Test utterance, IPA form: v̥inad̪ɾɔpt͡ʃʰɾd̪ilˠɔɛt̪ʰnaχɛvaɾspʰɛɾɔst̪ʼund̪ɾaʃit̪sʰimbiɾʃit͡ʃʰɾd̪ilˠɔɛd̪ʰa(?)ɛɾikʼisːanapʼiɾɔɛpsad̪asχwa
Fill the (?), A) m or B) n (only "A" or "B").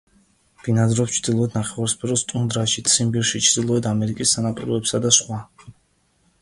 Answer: A